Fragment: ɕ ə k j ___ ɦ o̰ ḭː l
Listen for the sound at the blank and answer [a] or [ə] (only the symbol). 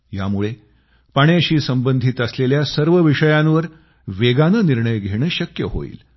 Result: ə